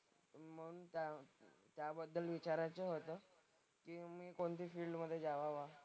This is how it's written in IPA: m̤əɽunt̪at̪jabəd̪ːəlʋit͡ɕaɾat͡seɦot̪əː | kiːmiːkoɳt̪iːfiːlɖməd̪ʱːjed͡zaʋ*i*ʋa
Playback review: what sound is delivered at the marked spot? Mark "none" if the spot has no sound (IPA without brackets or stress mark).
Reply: a